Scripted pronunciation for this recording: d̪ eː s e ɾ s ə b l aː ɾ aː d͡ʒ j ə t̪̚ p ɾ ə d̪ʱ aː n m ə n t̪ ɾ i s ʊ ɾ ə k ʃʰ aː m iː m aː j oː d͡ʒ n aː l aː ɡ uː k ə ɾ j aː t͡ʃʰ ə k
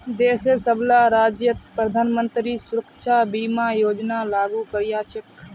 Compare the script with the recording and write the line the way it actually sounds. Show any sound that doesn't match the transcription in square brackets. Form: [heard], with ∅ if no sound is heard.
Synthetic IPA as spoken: d̪ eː s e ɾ s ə b l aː ɾ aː d͡ʒ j ə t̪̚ p ɾ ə d̪ʱ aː n m ə n t̪ ɾ i s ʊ ɾ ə k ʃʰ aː [b] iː m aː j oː d͡ʒ n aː l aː ɡ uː k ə ɾ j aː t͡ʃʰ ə k

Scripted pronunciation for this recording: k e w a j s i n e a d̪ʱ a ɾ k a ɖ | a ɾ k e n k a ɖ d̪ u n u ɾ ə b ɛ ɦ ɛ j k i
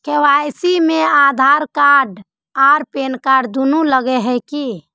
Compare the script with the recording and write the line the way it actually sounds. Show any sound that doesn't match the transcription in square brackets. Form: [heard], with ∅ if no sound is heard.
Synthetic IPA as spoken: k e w a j s i [m] e a d̪ʱ a ɾ k a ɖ | a ɾ [p] e n k a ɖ d̪ u n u [l] ə [ɡ] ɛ ɦ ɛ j k i

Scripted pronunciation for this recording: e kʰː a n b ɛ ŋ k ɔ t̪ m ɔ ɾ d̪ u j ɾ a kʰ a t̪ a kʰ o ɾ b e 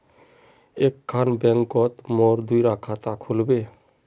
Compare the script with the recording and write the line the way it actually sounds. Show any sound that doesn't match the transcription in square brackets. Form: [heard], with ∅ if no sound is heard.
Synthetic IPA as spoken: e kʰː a n b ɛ ŋ k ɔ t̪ m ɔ ɾ d̪ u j ɾ a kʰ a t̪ a kʰ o [l] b e

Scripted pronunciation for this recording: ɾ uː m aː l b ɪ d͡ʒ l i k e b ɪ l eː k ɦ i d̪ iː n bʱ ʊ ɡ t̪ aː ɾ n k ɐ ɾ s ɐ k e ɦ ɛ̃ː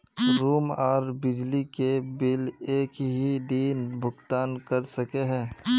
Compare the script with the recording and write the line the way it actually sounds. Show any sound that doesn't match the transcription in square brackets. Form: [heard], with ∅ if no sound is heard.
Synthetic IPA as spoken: ɾ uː m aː [ɾ] b ɪ d͡ʒ l i k e b ɪ l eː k ɦ i d̪ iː n bʱ ʊ ɡ t̪ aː [∅] n k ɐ ɾ s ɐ k e ɦ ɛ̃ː

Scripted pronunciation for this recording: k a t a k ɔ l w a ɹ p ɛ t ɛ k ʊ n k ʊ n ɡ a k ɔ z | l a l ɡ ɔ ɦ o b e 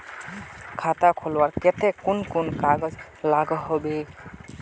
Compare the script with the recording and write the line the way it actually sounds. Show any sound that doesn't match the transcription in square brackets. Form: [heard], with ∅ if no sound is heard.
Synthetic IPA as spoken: [kʰ] a t a [kʰ] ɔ l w a ɹ [k] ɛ t ɛ k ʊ n k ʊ n [k] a [ɡ] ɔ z | l a [∅] ɡ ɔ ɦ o b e

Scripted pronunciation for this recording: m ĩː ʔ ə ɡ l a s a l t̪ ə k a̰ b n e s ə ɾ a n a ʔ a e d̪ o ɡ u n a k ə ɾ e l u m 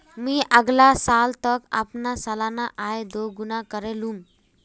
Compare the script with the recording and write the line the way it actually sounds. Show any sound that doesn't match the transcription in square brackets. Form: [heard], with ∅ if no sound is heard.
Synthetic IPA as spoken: m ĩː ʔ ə ɡ l a s a l t̪ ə k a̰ [p] n [a] s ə [l] a n a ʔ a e d̪ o ɡ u n a k ə ɾ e l u m

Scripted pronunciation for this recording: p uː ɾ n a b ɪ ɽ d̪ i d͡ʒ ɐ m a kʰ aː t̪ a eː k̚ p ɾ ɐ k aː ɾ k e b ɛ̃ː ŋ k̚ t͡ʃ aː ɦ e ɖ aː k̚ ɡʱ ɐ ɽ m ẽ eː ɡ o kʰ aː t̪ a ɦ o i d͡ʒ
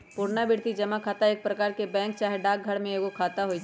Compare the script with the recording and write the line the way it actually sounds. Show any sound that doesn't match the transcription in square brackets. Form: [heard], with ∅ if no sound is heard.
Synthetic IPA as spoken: p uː ɾ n a b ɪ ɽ [t̪] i d͡ʒ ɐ m a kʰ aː t̪ a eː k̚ p ɾ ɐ k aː ɾ k e b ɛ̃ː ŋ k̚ t͡ʃ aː ɦ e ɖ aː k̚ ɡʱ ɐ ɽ m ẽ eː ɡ o kʰ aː t̪ a ɦ o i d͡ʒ

